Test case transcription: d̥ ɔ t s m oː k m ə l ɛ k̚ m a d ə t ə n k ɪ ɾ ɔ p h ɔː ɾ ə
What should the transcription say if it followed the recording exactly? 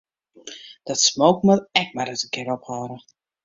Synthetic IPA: d̥ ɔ t s m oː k m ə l ɛ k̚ m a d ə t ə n k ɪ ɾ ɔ p h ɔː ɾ ə